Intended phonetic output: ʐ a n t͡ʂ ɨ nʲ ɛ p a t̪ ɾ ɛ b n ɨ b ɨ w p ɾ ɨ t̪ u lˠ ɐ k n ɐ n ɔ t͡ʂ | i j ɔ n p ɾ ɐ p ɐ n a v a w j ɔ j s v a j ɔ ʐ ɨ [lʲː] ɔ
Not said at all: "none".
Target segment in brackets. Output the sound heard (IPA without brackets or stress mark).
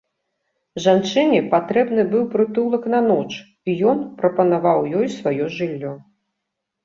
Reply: lʲː